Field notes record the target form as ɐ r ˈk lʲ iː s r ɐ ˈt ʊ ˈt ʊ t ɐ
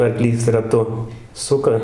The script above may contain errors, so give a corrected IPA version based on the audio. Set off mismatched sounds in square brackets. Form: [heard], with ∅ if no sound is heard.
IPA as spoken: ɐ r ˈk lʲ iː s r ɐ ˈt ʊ [ˈs] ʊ [k] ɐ